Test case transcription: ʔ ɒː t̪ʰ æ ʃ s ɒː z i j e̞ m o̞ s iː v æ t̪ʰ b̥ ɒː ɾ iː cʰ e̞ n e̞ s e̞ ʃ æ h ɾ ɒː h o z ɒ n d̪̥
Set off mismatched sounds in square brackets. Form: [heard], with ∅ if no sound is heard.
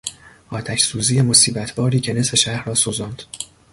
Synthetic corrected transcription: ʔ ɒː t̪ʰ æ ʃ s [uː] z i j e̞ m o̞ s iː [b] æ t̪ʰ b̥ ɒː ɾ iː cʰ e̞ n e̞ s e̞ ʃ æ h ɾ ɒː [s] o z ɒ n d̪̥